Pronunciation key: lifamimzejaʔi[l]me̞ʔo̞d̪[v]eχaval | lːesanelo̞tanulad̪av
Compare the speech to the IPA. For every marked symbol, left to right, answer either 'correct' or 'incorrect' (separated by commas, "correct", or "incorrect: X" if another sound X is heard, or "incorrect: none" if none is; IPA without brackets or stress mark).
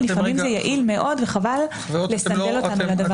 correct, correct